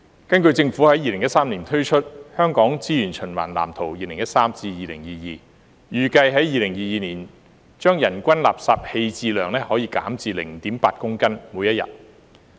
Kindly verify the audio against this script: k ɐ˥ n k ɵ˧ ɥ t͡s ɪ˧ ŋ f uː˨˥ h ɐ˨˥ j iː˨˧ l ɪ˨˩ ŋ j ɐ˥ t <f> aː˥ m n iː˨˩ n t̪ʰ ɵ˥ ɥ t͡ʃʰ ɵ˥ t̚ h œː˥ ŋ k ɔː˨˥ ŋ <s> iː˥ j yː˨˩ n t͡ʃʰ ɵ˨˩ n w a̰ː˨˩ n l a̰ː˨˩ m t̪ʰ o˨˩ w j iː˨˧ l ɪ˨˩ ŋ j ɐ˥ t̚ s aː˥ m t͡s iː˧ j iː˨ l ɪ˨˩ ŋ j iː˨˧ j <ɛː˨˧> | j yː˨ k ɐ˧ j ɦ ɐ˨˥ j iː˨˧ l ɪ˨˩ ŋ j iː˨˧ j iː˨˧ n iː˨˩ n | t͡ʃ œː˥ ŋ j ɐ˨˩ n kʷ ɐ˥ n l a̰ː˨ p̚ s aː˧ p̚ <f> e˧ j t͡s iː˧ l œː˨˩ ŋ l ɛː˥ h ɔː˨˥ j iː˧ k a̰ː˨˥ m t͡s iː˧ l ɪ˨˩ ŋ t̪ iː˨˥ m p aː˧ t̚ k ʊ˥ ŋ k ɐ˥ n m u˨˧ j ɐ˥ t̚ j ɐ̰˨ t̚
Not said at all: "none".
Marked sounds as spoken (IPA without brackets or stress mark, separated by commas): s, t͡s, iː˨˧, h